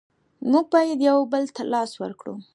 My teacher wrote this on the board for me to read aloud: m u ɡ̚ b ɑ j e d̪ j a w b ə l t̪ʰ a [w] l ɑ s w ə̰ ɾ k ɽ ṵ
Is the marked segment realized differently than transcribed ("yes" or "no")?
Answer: yes